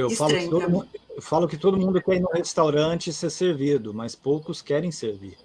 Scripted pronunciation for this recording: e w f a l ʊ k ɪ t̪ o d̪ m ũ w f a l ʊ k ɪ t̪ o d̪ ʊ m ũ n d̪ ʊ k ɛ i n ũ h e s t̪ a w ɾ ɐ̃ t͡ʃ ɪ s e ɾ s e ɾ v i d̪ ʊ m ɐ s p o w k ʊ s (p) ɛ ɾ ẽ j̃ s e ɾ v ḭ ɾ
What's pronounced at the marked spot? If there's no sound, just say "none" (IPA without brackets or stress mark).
k